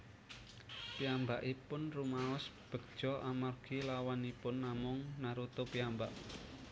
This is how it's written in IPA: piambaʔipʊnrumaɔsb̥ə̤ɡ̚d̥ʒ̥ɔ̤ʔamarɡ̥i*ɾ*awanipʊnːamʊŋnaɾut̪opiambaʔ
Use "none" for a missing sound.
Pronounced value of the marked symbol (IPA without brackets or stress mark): l